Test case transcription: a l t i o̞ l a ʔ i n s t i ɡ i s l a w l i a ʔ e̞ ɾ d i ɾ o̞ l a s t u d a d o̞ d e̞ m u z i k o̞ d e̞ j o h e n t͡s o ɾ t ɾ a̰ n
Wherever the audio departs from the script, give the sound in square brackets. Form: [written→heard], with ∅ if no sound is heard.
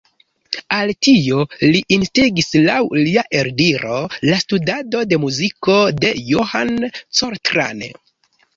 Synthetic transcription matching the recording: a l t i o̞ l [a→i] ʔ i n s t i ɡ i s l a w l i a ʔ e̞ ɾ d i ɾ o̞ l a s t u d a d o̞ d e̞ m u z i k o̞ d e̞ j o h [e→a] n t͡s o ɾ t ɾ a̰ n